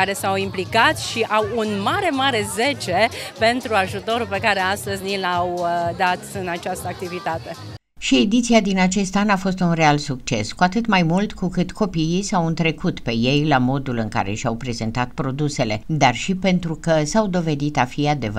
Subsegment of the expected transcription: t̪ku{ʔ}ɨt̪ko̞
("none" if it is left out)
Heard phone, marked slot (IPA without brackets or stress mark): k